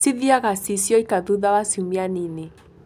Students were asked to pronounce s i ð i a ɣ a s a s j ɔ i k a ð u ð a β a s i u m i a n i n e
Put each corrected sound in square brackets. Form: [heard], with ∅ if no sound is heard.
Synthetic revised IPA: s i ð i a ɣ a s [i] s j ɔ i k a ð u ð a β a s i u m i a n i n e